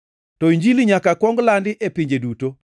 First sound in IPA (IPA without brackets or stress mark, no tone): t